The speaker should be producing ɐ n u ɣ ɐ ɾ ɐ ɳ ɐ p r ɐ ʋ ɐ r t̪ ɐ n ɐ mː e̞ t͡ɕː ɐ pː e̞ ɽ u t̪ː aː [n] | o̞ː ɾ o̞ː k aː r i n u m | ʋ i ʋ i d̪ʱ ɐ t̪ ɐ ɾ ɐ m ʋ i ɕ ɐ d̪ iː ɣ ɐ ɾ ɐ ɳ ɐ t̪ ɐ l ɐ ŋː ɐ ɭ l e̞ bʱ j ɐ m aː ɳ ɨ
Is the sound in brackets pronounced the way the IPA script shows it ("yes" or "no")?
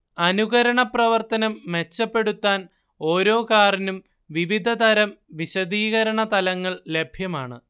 yes